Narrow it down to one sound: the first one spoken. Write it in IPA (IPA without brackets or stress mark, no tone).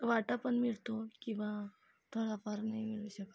ʋ